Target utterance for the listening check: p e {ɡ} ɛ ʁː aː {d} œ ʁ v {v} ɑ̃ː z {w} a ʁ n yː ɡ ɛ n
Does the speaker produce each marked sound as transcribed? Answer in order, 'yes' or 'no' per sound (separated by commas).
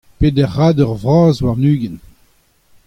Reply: no, yes, no, yes